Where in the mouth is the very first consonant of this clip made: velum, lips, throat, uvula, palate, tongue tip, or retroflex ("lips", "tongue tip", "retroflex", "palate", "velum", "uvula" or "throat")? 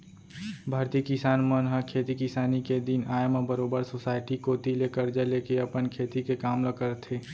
lips